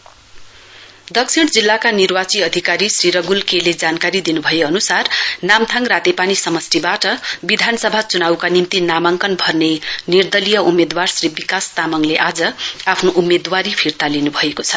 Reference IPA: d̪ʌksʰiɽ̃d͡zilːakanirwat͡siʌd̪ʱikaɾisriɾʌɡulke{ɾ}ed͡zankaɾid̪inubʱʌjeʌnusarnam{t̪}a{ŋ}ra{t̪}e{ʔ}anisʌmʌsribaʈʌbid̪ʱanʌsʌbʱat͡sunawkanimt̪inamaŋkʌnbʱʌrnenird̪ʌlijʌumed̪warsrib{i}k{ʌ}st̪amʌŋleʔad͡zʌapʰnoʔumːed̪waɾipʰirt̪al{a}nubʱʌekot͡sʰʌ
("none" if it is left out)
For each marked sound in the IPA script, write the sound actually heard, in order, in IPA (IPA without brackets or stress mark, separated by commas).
l, t̪ʰ, ŋ, t̪, p, i, a, i